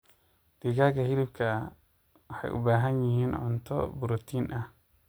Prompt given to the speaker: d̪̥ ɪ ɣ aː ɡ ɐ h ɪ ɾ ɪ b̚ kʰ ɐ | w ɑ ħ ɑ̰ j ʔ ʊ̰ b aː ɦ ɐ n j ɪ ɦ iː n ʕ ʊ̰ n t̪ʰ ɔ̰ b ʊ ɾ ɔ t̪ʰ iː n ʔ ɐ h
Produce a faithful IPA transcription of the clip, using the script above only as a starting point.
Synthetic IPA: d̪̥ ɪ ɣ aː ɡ ɐ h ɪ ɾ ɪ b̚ kʰ ɐ | w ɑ ħ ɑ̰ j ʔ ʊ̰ b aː ɦ ɐ n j ɪ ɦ iː n ʕ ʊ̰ n t̪ʰ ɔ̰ b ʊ ɾ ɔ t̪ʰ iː n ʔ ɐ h